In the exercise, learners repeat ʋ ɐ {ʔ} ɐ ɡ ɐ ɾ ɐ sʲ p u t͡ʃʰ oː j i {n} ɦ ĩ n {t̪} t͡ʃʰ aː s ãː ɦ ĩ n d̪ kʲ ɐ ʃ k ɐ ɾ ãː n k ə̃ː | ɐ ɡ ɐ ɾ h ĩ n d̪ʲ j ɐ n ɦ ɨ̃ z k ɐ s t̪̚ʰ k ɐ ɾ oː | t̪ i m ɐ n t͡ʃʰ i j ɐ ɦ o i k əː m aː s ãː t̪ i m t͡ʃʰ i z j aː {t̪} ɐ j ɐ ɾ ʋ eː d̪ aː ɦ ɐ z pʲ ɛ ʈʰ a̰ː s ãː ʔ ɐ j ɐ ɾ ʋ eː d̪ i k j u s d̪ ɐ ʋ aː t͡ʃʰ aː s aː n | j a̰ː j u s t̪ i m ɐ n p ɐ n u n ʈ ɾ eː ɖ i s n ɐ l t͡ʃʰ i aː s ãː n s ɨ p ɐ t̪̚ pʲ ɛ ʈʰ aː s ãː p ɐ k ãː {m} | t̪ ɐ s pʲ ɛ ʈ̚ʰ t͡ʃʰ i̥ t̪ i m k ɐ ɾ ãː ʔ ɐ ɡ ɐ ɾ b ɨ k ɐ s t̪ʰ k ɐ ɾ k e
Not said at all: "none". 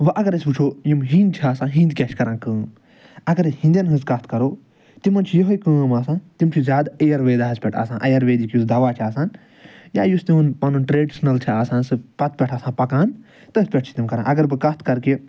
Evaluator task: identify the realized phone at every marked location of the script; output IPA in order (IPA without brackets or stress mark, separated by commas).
ʔ, m, d̪, d̪, n